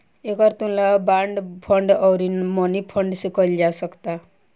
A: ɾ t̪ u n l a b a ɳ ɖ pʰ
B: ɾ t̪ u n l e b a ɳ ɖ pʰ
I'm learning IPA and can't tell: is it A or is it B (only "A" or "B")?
A